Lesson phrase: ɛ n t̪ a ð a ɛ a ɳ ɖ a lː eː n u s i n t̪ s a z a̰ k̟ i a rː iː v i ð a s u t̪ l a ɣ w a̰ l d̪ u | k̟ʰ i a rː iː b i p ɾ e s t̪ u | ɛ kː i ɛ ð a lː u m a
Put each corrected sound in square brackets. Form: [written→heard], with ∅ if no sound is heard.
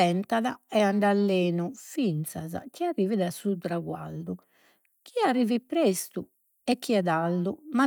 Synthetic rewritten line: ɛ n t̪ a ð a ɛ a ɳ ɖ a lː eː n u [s→f] i n t̪ s a z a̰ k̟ i a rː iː v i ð a s u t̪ [l→ɾ] a ɣ w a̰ l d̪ u | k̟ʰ i a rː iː [b→v] i p ɾ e s t̪ u | ɛ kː i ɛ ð a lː u m a